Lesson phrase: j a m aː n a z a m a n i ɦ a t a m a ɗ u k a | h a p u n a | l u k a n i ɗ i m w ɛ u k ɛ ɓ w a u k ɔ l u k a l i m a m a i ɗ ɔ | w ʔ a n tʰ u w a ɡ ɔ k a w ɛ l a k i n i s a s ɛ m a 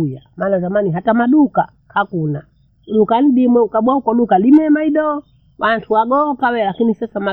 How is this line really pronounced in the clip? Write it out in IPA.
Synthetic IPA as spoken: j a m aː n a z a m a n i ɦ a t a m a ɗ u k a | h a k u n a | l u k a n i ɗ i m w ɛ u k a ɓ w a u k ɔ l u k a l i m ɛ m a i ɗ ɔ | w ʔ a n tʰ u w a ɡ ɔ k a w ɛ l a k i n i s a s a m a